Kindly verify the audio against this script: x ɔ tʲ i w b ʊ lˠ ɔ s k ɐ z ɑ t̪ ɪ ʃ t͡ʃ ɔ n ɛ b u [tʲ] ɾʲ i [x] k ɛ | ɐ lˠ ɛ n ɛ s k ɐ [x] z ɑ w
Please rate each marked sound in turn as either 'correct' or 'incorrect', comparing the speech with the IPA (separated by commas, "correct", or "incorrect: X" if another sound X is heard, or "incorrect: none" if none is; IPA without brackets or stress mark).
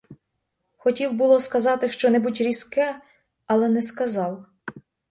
correct, incorrect: s, incorrect: none